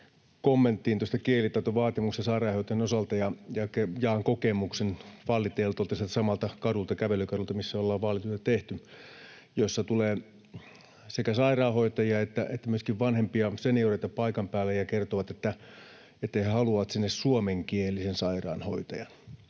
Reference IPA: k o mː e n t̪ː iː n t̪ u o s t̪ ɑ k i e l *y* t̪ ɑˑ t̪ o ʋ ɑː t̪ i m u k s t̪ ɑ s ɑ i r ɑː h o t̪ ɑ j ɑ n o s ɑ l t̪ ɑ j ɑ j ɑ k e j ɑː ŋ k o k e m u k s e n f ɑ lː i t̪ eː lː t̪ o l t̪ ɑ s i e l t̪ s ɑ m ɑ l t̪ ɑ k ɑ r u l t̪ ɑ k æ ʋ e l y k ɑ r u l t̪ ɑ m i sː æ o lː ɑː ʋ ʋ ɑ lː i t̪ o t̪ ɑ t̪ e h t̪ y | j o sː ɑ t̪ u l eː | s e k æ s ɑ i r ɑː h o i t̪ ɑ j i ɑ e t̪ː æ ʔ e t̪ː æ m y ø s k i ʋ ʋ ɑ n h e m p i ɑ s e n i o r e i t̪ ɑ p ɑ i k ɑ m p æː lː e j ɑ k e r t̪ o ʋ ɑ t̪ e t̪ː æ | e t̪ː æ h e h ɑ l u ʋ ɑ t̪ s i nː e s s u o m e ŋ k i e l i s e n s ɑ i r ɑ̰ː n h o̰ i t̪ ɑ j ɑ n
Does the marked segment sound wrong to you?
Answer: yes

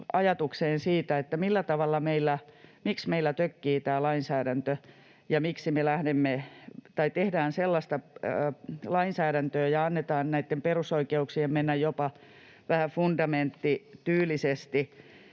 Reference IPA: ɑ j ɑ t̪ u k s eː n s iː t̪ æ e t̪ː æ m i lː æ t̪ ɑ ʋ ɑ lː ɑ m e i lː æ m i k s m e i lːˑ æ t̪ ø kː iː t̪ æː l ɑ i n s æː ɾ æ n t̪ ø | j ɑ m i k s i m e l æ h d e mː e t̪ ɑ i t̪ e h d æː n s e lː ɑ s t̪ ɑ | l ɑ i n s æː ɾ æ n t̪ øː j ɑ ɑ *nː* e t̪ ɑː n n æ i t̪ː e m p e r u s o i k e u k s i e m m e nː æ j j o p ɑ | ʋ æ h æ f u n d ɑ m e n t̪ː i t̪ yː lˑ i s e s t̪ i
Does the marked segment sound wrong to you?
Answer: no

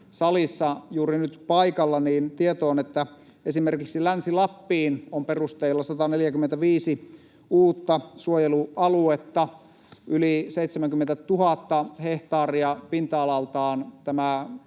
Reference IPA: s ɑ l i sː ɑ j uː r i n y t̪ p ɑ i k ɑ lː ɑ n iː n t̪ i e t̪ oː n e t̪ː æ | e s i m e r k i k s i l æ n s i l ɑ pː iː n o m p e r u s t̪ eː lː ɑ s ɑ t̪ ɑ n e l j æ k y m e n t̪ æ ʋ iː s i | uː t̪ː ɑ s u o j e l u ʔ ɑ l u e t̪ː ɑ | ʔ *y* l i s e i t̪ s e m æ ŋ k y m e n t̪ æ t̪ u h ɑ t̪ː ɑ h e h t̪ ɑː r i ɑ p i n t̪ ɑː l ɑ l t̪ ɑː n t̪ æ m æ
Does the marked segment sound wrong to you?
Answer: no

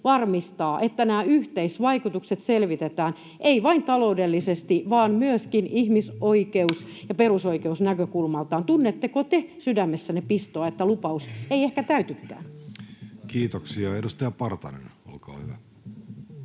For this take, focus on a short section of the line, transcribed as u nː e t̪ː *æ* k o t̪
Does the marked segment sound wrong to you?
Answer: yes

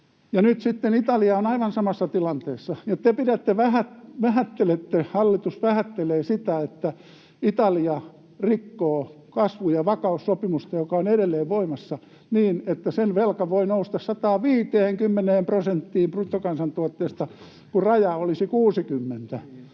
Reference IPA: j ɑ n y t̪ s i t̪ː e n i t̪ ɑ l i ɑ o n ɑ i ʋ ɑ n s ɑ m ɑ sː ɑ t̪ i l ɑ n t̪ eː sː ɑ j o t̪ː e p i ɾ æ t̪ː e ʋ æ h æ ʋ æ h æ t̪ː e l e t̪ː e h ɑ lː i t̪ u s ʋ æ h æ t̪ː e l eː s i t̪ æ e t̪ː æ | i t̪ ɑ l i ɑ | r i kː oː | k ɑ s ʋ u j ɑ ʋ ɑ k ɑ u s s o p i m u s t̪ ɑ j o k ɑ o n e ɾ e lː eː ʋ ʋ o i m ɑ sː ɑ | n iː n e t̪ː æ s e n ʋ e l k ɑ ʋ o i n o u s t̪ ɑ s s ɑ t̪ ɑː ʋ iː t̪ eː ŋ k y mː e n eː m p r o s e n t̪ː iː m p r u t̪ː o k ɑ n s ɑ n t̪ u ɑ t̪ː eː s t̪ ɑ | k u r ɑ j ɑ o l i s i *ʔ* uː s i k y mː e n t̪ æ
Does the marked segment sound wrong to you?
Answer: yes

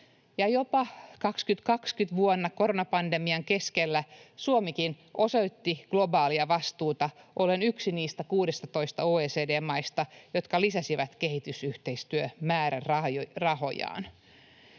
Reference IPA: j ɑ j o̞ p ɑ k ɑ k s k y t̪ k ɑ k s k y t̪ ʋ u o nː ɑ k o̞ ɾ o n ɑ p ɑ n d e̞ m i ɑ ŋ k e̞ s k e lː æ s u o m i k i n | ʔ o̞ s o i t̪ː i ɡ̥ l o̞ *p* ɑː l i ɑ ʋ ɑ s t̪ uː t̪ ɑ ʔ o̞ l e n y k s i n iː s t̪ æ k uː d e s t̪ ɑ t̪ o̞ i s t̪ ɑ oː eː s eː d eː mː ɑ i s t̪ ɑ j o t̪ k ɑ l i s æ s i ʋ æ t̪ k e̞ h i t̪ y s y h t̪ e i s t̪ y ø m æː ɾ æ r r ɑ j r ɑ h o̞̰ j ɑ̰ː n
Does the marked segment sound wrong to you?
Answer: yes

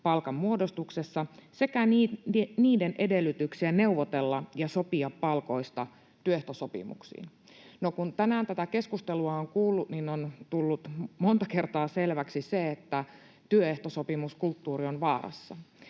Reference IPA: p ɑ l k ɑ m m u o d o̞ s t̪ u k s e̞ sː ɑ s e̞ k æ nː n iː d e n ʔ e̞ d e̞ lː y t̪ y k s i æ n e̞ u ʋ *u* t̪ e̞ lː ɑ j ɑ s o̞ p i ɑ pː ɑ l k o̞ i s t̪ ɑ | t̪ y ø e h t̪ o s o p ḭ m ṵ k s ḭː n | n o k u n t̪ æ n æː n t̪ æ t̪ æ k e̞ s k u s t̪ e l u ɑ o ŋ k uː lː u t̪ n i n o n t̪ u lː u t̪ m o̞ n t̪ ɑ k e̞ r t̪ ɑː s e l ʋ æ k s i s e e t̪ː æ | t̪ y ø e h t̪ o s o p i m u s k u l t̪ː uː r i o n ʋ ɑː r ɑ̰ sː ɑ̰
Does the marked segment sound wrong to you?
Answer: yes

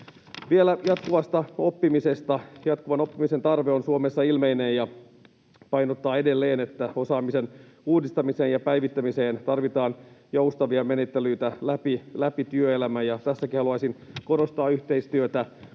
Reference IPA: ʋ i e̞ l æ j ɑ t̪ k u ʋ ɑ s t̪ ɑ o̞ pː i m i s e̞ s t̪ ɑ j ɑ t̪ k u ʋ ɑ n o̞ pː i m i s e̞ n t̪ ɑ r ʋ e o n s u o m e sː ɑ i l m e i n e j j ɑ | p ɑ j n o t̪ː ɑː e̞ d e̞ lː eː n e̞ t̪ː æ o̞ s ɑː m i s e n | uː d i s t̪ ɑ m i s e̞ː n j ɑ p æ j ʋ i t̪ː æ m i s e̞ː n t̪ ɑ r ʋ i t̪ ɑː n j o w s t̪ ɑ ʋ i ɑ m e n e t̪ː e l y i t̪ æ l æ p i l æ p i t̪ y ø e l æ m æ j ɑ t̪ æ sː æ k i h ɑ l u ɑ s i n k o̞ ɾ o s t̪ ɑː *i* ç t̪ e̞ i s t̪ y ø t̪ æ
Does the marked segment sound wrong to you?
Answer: yes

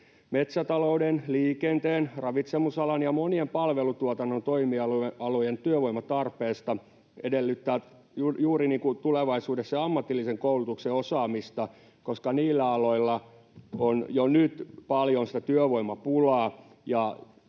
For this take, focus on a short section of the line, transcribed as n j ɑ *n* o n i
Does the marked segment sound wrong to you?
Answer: yes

